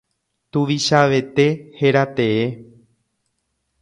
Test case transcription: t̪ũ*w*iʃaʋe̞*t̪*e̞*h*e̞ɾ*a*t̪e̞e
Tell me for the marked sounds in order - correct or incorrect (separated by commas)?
incorrect, correct, correct, correct